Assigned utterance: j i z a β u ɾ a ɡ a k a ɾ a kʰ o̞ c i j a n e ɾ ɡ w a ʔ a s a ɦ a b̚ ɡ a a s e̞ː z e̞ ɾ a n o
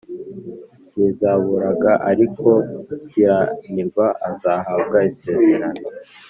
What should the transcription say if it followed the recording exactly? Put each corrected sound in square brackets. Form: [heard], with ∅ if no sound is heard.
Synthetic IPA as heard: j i z a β u ɾ a ɡ a [ʔ] a ɾ [i] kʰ o̞ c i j a n [i] ɾ ɡ w a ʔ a [z] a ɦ a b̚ ɡ a [i] s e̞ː z e̞ ɾ a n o